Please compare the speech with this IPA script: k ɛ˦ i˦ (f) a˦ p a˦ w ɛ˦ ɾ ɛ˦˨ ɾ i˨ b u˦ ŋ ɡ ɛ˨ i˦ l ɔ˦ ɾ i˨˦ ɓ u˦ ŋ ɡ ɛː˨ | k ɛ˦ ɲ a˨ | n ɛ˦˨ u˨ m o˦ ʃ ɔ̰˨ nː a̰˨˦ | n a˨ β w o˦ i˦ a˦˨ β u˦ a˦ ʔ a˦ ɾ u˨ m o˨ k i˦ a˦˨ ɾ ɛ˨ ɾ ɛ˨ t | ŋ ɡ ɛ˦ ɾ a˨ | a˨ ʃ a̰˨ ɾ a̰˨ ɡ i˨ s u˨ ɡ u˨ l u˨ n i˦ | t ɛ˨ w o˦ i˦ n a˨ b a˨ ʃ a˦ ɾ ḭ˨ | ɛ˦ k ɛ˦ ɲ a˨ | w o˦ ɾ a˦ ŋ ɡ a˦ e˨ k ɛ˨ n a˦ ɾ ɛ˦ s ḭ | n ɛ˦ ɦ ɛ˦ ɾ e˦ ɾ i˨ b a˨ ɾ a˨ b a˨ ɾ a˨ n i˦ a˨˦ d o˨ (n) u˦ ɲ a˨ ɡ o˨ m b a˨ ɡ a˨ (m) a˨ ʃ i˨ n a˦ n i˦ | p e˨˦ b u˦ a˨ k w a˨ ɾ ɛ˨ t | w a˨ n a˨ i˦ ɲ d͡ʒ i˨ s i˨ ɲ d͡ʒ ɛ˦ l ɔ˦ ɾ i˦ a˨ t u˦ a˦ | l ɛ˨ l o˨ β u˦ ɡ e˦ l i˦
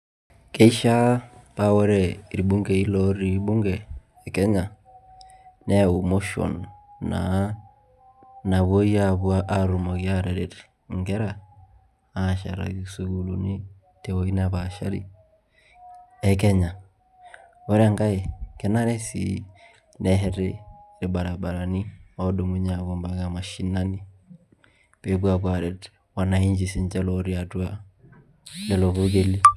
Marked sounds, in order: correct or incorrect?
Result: incorrect: ʃ, incorrect: m, correct

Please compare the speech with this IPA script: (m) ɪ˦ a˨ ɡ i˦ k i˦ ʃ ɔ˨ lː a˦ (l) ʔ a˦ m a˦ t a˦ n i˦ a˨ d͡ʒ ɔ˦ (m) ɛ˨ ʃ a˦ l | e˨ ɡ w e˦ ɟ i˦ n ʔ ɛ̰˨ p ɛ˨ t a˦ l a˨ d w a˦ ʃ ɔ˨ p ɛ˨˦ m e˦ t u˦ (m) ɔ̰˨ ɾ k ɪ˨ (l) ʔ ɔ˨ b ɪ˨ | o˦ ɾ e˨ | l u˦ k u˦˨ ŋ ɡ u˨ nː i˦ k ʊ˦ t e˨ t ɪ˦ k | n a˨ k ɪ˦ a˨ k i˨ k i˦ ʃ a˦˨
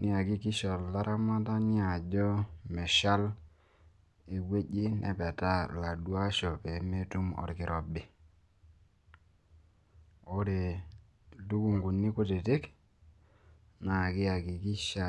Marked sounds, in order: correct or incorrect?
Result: incorrect: n, incorrect: ɾ, correct, correct, incorrect: ɾ

